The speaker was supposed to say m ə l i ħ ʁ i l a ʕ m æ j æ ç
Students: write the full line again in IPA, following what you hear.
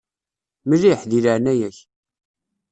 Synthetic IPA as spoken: m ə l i ħ ð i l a ʕ n æ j æ ç